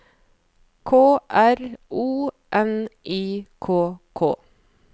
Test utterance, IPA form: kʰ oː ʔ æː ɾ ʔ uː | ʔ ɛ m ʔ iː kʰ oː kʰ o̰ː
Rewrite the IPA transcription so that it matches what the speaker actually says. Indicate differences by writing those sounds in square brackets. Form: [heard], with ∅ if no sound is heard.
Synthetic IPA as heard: kʰ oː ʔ [æ] ɾ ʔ uː | ʔ ɛ [n] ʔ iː kʰ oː kʰ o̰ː